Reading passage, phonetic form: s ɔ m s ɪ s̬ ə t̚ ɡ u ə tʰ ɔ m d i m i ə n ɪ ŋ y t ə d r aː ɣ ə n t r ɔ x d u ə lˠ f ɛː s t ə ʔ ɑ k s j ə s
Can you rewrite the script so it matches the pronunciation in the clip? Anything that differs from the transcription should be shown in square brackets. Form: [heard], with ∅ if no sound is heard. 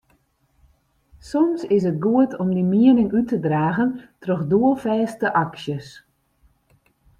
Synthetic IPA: s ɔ m s ɪ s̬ ə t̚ ɡ u ə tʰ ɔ m d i m i ə n ɪ ŋ y t ə d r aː ɣ ə n t r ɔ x d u ə lˠ f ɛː s t ə ʔ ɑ k s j ə s